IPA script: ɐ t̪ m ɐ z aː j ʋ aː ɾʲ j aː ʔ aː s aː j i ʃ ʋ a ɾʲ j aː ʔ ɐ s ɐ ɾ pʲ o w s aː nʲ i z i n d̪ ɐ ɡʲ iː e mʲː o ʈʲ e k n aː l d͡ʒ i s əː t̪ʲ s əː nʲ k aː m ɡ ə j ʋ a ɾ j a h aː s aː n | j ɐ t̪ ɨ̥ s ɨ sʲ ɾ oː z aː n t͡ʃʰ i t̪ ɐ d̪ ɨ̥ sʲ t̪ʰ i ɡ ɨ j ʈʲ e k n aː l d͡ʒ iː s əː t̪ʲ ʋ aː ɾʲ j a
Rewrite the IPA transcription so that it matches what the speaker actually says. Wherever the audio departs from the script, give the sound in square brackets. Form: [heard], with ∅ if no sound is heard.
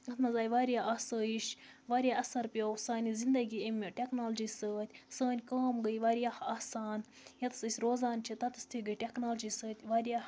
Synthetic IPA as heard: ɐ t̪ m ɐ z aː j ʋ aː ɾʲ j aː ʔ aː s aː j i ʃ ʋ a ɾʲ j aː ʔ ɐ s ɐ ɾ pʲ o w s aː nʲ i z i n d̪ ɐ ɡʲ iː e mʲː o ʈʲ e k n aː l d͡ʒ i s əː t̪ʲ s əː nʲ k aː m ɡ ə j ʋ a ɾ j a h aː s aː n | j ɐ t̪ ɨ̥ s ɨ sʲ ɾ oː z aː n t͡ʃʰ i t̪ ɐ [t̪] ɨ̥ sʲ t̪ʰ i ɡ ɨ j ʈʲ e k n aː l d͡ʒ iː s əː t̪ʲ ʋ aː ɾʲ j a